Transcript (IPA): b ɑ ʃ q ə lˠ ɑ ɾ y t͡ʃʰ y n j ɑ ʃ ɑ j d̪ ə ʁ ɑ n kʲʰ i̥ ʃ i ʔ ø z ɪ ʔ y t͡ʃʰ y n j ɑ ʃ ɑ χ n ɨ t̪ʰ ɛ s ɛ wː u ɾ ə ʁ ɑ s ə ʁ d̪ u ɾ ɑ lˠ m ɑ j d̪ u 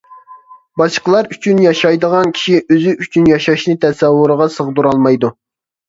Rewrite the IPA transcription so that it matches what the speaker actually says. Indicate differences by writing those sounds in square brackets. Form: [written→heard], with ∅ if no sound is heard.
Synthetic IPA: b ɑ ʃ q ə lˠ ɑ ɾ y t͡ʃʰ y n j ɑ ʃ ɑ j d̪ ə ʁ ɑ n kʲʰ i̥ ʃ i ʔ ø z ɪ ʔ y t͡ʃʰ y n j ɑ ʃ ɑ [χ→ʃ] n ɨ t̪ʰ ɛ s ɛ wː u ɾ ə ʁ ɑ s ə ʁ d̪ u ɾ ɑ lˠ m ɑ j d̪ u